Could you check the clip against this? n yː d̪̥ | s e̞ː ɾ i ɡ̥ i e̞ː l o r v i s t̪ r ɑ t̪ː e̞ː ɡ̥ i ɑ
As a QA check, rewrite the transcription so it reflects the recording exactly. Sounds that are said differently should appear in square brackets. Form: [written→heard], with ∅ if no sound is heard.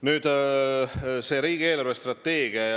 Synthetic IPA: n yː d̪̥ | s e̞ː ɾ [i→iː] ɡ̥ i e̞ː l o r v [i→e] s t̪ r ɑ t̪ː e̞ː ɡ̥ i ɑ

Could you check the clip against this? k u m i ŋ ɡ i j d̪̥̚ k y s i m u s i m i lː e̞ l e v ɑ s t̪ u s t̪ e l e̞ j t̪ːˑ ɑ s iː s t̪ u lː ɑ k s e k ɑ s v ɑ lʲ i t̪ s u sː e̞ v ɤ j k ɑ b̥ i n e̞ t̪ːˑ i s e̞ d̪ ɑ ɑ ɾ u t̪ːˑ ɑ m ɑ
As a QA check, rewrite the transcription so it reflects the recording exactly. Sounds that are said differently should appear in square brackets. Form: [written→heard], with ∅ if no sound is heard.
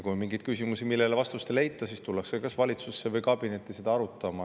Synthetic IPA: k u m i ŋ ɡ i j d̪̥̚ k y s i m u s i m i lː e̞ l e v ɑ s t̪ u s t̪ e l e̞ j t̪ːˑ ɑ s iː s t̪ u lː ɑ k s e k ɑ s v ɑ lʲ i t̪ s u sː e̞ v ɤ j k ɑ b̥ i n e̞ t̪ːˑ i s e̞ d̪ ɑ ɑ ɾ u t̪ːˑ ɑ m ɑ

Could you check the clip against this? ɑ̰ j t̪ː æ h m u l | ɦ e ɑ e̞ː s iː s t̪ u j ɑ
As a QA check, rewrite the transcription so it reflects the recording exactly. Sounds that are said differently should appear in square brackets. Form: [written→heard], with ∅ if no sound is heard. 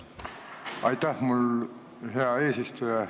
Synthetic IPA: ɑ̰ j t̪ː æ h m u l | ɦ e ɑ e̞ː s [iː→i] s t̪ u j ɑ

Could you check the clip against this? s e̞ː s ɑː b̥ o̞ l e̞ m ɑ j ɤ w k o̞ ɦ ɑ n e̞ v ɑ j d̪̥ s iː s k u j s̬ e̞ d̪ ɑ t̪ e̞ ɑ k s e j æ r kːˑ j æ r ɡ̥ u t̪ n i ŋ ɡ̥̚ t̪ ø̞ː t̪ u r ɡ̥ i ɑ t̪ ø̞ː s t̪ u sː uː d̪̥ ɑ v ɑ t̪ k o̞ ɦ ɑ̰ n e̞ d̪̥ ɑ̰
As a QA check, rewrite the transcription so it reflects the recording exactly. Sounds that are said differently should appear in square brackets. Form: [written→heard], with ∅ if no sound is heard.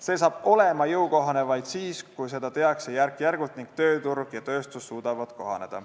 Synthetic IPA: s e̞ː s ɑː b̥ o̞ l e̞ m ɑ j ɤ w k o̞ ɦ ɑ n e̞ v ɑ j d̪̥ s iː s k u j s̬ e̞ d̪ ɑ t̪ e̞ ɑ k s e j æ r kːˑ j æ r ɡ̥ u t̪ n i ŋ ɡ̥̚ t̪ ø̞ː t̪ u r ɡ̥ [i→j] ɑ t̪ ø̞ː s t̪ u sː uː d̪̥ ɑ v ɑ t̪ k o̞ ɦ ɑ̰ n e̞ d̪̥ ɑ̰

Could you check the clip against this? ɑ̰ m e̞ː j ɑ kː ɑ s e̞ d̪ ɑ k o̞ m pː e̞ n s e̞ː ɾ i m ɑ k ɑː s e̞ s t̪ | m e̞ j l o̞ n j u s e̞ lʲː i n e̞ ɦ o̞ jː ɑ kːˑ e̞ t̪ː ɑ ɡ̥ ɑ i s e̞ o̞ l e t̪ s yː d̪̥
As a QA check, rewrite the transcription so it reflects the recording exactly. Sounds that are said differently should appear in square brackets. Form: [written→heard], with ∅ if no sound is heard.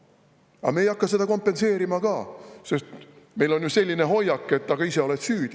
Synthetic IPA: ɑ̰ m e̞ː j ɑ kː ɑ s e̞ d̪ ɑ k o̞ m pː e̞ n s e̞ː ɾ i m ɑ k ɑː s e̞ s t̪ | m e̞ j l o̞ n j u s e̞ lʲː i n e̞ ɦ o̞ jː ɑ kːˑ e̞ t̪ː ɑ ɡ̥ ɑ i s e̞ o̞ l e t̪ s yː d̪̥

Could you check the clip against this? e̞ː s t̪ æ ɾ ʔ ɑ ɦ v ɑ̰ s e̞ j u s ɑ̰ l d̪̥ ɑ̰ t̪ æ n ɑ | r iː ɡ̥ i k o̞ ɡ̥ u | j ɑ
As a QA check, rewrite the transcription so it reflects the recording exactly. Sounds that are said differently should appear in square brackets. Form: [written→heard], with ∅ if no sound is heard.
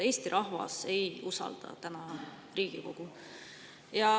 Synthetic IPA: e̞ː s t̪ [æ→i] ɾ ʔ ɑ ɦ v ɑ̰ s e̞ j u s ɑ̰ l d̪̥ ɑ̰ t̪ æ n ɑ | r iː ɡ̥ i k o̞ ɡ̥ u | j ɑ

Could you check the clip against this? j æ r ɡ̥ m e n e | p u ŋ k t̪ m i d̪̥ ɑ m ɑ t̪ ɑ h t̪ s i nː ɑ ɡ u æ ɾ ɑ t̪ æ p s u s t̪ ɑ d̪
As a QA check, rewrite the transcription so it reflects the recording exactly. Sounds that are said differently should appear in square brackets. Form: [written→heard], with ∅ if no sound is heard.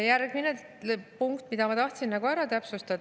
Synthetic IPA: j æ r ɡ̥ m [e→i] n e | p u ŋ k t̪ m i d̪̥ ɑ m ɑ t̪ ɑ h t̪ s i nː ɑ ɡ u æ ɾ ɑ t̪ æ p s u s t̪ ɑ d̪

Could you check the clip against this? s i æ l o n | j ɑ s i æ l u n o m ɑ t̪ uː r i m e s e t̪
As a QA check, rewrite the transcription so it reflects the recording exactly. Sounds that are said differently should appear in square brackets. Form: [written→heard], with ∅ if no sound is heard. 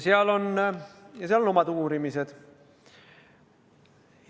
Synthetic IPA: s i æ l o n | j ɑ s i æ l [u→o] n o m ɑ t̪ uː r i m [e→i] s e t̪

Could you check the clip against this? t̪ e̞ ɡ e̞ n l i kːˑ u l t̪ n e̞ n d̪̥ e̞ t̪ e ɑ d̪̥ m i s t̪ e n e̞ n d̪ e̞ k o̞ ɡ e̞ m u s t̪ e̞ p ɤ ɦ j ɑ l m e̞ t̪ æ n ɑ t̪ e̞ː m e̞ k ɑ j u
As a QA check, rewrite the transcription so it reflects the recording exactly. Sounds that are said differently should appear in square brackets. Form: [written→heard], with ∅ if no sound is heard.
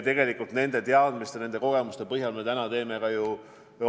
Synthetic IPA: t̪ e̞ ɡ e̞ [n→∅] l i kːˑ u l t̪ n e̞ n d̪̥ e̞ t̪ e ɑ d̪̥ m i s t̪ e n e̞ n d̪ e̞ k o̞ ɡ e̞ m u s t̪ e̞ p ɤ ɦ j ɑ l m e̞ t̪ æ n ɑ t̪ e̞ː m e̞ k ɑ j u

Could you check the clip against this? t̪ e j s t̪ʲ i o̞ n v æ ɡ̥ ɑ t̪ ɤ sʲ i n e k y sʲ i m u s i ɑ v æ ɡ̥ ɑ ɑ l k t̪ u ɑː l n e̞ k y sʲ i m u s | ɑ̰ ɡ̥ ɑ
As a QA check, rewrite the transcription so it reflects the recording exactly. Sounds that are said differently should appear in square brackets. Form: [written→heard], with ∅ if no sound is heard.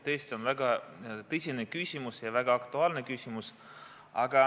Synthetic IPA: t̪ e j s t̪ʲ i o̞ n v æ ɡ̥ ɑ t̪ ɤ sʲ i n e k y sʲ i m u s [i→j] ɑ v æ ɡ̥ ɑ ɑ [l→∅] k t̪ u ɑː l n e̞ k y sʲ i m u s | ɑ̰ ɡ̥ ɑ

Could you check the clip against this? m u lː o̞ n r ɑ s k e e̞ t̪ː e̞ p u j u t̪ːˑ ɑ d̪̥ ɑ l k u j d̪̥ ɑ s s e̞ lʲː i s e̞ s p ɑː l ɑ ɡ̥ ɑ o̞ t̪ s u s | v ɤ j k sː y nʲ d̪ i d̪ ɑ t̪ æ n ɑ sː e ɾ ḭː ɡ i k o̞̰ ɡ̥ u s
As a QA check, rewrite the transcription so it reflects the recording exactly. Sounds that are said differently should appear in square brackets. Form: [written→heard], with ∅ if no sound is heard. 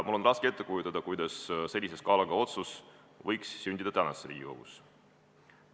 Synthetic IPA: m u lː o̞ n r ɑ s k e e̞ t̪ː e̞ [p→k] u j u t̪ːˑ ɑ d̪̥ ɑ [l→∅] k u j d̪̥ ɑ s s e̞ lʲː i s e̞ s [p→k] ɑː l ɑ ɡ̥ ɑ o̞ t̪ s u s | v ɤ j k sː y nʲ d̪ i d̪ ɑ t̪ æ n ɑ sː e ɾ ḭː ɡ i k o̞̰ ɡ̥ u s

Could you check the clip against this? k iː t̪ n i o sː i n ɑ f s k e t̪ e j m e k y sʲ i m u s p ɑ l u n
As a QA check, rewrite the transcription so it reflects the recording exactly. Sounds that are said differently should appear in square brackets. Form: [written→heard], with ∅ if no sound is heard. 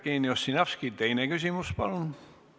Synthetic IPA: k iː [t̪→∅] n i o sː i n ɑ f s k [e→i] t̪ e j [m→n] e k y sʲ i m u s p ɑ l u n

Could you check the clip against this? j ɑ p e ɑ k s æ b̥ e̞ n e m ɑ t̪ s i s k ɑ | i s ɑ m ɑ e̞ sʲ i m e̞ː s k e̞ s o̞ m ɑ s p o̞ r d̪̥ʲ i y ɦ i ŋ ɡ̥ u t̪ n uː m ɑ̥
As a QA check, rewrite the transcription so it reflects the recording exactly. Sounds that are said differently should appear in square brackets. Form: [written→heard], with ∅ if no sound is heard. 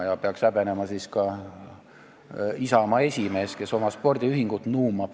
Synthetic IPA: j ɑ p e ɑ k s æ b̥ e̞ n e m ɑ [t̪→∅] s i s k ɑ | i s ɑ m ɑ e̞ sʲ i m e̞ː s k e̞ s o̞ m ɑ s p o̞ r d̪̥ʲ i y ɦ i ŋ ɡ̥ u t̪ n uː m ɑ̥

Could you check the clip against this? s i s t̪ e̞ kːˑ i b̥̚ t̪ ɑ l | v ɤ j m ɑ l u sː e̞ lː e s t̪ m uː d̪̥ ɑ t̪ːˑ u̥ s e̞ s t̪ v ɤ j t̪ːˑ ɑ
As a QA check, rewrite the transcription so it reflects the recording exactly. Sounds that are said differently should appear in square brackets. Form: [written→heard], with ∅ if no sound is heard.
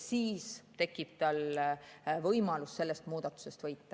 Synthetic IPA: s [i→iː] s t̪ e̞ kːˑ i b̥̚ t̪ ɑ l | v ɤ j m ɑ l u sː e̞ lː e s t̪ m uː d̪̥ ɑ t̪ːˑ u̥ s e̞ s t̪ v ɤ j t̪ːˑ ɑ

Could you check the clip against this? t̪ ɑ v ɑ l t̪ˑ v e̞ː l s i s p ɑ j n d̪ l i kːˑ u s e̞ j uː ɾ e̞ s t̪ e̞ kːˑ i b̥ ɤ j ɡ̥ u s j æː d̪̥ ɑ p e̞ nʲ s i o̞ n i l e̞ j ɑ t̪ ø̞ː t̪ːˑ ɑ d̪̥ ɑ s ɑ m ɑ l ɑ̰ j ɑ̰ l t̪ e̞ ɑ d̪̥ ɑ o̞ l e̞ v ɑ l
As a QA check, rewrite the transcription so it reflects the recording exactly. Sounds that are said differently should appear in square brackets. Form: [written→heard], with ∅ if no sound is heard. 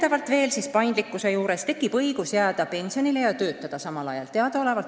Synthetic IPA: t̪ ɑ v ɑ l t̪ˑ v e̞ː l s i s p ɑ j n d̪ l i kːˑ u s e̞ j uː ɾ e̞ s t̪ e̞ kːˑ i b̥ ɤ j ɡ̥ u s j æː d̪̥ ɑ p e̞ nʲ s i o̞ n i l e̞ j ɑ t̪ ø̞ː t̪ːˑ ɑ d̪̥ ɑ s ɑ m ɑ l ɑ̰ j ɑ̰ l t̪ e̞ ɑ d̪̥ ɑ o̞ l e̞ v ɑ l

